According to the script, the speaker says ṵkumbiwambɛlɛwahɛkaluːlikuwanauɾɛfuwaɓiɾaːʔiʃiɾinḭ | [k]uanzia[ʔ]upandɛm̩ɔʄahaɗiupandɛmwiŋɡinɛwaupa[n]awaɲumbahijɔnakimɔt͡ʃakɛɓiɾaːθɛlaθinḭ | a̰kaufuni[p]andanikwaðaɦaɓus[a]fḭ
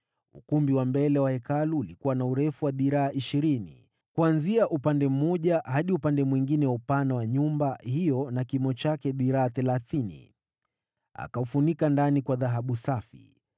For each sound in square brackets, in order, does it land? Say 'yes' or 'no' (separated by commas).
yes, yes, yes, no, yes